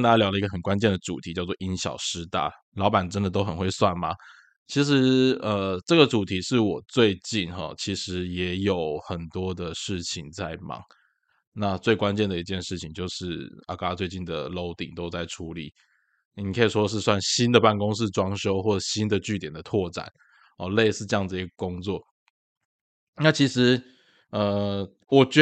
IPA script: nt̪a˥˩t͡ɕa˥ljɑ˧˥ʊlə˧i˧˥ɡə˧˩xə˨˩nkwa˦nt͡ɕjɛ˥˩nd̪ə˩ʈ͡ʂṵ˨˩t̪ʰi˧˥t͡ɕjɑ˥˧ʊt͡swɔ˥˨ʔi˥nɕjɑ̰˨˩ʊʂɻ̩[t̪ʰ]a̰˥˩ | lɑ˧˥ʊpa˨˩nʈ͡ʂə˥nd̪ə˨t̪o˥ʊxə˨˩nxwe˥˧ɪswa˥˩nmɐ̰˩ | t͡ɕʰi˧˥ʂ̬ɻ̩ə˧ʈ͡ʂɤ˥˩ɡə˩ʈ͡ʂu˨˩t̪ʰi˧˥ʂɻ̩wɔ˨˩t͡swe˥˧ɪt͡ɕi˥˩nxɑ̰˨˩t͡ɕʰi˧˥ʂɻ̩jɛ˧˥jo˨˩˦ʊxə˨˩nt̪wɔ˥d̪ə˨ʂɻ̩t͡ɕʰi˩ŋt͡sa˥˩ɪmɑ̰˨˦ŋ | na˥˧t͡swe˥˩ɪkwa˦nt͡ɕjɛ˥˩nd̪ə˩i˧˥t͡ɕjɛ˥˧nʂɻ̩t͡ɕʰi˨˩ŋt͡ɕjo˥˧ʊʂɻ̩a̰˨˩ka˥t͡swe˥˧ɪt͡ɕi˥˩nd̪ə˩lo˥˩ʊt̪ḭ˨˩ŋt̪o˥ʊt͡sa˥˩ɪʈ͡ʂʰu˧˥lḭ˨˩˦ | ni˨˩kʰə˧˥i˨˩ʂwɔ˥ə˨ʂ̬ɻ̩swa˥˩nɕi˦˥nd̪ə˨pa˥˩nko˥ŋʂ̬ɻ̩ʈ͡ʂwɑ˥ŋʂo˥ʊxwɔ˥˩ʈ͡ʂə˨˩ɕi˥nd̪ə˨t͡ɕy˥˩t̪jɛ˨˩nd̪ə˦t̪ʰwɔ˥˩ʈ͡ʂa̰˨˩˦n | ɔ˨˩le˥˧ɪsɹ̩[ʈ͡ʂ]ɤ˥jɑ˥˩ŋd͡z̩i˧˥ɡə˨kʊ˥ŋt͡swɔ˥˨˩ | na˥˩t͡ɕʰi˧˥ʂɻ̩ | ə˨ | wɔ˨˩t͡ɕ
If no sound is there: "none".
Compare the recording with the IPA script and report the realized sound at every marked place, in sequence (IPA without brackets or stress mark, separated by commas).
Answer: t̪, ʈ͡ʂ